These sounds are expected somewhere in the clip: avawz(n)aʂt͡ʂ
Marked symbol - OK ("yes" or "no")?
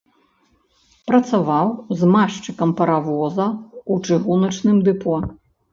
no